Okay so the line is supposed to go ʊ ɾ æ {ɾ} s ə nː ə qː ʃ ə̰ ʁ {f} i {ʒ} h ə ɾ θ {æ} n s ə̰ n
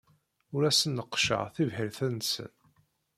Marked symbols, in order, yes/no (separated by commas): no, no, no, yes